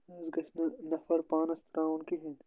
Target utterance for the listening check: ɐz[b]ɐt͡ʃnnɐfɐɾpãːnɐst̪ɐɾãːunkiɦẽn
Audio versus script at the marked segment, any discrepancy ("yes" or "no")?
yes